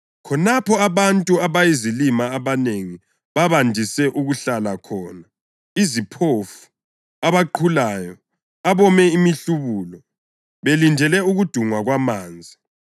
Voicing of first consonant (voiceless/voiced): voiceless